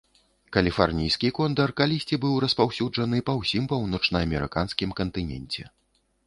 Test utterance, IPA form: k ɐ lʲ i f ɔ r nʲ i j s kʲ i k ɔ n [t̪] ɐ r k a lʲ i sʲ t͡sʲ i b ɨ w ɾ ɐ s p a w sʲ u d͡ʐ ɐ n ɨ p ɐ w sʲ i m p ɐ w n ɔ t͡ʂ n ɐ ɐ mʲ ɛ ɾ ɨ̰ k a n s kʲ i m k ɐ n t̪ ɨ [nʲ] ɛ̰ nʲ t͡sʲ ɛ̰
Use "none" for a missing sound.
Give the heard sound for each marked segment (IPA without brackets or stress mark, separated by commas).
d̪, nʲ